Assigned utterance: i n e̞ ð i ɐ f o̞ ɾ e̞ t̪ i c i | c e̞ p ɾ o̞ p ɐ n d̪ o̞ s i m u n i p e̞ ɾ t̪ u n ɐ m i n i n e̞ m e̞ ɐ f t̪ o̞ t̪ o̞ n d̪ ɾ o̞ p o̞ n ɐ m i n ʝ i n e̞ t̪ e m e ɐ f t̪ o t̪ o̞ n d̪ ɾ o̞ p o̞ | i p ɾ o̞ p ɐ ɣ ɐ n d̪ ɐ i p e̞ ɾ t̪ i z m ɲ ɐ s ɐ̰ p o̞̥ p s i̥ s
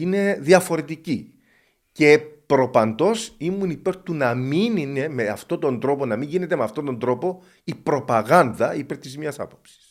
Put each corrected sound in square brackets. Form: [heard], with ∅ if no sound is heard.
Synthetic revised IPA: i n e̞ ð i ɐ f o̞ ɾ e̞ t̪ i c i | c e̞ p ɾ o̞ p ɐ n d̪ o̞ s i m u n i p e̞ ɾ t̪ u n ɐ m i n i n e̞ m e̞ ɐ f t̪ o̞ t̪ o̞ n d̪ ɾ o̞ p o̞ n ɐ m i [ɲ] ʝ i n e̞ t̪ e m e ɐ f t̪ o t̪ o̞ n d̪ ɾ o̞ p o̞ | i p ɾ o̞ p ɐ ɣ ɐ n d̪ ɐ i p e̞ ɾ t̪ i z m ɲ ɐ s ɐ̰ p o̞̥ p s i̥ s